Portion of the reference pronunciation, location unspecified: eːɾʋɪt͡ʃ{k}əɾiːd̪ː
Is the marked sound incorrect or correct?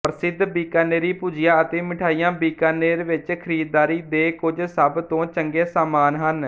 incorrect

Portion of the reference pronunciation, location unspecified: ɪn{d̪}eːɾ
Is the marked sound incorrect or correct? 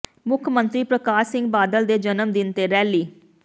incorrect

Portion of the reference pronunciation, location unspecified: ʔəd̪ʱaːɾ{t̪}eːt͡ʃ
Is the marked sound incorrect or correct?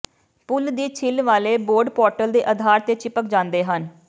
correct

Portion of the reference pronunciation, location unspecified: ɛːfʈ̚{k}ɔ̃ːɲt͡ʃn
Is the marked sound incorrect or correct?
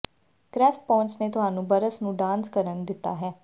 incorrect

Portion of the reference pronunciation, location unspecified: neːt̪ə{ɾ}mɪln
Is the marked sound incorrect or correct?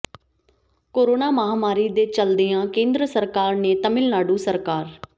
incorrect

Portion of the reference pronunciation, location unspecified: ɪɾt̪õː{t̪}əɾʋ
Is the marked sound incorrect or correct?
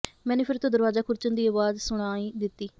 incorrect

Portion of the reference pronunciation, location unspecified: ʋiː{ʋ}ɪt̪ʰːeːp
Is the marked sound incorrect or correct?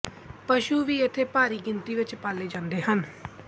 incorrect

